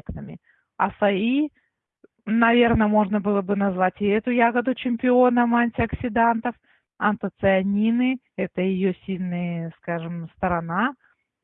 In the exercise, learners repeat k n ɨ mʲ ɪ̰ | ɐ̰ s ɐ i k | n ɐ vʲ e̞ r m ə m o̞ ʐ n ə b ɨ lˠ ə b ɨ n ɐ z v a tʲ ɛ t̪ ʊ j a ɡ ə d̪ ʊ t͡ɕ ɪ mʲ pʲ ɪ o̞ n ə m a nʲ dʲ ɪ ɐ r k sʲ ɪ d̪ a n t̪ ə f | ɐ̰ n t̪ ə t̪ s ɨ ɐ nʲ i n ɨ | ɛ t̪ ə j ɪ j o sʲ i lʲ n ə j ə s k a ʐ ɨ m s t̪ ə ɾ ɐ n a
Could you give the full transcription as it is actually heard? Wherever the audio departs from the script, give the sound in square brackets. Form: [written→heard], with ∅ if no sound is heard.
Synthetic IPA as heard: k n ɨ mʲ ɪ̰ | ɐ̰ s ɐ i [k→∅] | n ɐ vʲ e̞ r [m→n] ə m o̞ ʐ n ə b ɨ lˠ ə b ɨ n ɐ z v a tʲ ɛ t̪ ʊ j a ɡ ə d̪ ʊ t͡ɕ ɪ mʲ pʲ ɪ o̞ n ə m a nʲ [dʲ→tʲ] ɪ ɐ [r→∅] k sʲ ɪ d̪ a n t̪ ə f | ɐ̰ n t̪ ə t̪ s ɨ ɐ nʲ i n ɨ | ɛ t̪ ə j ɪ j o sʲ i lʲ n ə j ə s k a ʐ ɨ m s t̪ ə ɾ ɐ n a